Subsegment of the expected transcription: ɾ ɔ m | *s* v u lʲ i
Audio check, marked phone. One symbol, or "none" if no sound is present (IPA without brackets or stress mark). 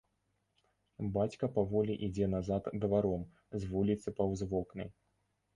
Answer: z